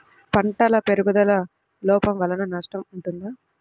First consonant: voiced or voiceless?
voiceless